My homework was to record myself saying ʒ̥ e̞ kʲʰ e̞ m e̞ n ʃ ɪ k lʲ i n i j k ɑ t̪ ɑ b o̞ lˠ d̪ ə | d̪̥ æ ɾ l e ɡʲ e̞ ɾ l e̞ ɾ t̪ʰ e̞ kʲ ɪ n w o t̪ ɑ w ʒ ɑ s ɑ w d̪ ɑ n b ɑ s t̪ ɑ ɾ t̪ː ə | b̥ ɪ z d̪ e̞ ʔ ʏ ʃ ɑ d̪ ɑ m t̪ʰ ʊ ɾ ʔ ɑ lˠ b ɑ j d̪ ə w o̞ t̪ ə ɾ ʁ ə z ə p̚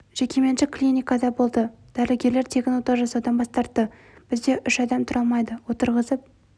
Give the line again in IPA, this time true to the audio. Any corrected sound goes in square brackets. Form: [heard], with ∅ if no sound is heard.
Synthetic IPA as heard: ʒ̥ e̞ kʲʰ e̞ m e̞ n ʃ ɪ k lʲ i n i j k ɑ [d̪] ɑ b o̞ lˠ d̪ ə | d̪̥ æ ɾ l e ɡʲ e̞ ɾ l e̞ ɾ t̪ʰ e̞ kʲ ɪ n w o t̪ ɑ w ʒ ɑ s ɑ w d̪ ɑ n b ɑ s t̪ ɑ ɾ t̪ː ə | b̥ ɪ z d̪ e̞ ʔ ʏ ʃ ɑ d̪ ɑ m t̪ʰ ʊ ɾ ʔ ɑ lˠ [m] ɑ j d̪ ə w o̞ t̪ ə ɾ ʁ ə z ə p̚